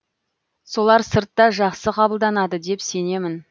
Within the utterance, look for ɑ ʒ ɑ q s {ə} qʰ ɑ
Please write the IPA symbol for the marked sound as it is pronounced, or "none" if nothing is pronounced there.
ə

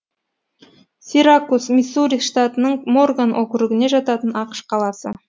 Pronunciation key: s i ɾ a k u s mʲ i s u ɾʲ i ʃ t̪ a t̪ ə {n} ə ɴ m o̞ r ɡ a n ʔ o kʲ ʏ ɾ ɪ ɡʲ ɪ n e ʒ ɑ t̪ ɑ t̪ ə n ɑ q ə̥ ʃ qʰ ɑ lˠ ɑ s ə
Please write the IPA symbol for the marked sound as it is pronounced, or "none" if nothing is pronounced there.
n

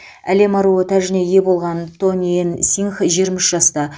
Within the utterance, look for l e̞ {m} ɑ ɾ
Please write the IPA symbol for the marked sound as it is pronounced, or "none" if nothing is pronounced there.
m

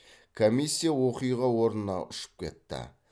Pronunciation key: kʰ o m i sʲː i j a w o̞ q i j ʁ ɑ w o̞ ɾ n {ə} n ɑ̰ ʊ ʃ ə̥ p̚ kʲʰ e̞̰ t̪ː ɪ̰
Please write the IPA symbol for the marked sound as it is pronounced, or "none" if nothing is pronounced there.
ə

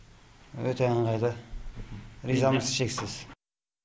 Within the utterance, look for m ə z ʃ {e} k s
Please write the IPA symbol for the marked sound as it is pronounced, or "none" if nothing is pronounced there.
e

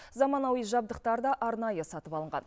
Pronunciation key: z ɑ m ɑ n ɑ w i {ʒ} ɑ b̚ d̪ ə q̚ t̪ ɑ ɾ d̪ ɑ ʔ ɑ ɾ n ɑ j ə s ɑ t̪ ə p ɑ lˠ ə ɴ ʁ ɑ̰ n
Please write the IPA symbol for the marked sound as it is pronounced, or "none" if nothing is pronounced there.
ʒ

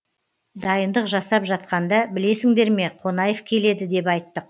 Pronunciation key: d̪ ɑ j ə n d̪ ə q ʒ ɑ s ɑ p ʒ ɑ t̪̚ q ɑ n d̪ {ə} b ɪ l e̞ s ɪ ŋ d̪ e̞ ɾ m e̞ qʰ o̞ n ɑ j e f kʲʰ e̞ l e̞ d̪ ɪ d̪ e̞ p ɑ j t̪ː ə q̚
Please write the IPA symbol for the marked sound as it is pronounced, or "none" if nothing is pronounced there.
ɑ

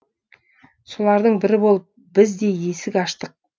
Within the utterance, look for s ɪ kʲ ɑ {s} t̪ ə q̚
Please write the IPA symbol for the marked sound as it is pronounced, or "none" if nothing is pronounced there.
ʃ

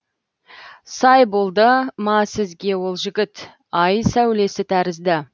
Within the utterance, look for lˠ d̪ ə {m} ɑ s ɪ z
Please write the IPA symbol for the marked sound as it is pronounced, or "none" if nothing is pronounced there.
m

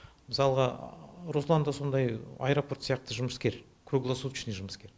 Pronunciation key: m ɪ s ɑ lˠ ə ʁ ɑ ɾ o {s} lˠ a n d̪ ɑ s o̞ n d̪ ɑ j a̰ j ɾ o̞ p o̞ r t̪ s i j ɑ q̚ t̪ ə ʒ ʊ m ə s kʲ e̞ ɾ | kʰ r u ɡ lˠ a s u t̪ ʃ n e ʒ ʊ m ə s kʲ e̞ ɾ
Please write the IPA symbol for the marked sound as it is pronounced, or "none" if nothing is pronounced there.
s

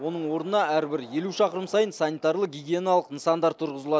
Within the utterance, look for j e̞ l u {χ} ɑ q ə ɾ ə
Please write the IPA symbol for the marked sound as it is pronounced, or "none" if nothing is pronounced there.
ʃ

